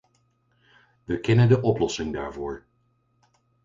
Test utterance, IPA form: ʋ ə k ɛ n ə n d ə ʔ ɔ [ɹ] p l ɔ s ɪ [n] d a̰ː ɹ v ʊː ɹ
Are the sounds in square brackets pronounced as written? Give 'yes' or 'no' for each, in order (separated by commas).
no, no